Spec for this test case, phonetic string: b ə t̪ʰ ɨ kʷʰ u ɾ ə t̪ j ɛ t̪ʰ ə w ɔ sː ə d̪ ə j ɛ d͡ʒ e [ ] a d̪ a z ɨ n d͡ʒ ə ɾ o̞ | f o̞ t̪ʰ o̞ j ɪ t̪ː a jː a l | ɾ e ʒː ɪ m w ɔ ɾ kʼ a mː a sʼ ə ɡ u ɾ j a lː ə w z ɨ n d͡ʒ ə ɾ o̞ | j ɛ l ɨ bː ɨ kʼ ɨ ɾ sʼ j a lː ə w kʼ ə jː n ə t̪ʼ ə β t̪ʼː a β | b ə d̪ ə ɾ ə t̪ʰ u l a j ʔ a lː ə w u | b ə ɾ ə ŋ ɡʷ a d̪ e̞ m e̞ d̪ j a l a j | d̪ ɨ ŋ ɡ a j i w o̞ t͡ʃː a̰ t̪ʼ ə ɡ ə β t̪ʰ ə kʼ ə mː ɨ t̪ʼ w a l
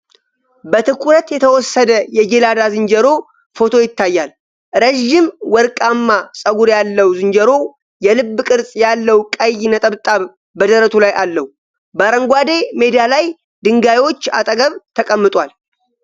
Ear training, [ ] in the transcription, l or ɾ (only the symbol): l